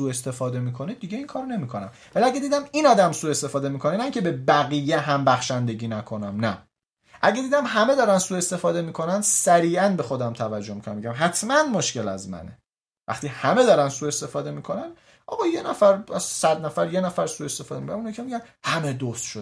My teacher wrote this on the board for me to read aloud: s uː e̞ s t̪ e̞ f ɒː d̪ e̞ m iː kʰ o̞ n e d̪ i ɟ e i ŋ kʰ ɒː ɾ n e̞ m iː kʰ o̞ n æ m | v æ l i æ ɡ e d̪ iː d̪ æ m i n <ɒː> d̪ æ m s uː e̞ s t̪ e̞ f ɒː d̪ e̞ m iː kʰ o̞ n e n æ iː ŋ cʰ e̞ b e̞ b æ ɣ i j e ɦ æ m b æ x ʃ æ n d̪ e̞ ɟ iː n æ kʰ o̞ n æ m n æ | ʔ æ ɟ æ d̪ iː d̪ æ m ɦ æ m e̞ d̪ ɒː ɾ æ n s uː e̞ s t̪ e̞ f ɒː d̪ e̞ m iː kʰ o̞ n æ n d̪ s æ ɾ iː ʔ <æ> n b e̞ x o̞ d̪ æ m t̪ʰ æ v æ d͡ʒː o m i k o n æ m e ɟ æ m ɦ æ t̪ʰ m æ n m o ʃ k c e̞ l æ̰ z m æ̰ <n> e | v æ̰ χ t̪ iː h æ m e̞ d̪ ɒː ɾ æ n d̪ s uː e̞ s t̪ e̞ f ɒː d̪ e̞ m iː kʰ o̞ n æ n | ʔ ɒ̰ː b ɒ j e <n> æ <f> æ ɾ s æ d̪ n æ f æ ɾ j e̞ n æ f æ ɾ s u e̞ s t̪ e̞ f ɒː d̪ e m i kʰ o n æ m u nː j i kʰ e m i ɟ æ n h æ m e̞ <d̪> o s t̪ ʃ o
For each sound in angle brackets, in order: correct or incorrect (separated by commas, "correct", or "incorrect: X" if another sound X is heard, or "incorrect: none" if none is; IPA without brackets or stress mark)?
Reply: correct, correct, correct, correct, correct, correct